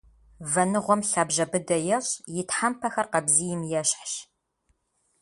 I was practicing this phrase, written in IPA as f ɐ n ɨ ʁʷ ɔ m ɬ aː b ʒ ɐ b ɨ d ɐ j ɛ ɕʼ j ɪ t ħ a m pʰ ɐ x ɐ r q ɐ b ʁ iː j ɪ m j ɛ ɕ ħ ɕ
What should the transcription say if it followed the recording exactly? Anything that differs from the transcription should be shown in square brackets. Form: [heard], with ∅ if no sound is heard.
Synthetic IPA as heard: [v] ɐ n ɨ ʁʷ ɔ m ɬ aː b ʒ ɐ b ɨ d ɐ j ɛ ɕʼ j ɪ t ħ a m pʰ ɐ x ɐ r q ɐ b [z] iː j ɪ m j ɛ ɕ ħ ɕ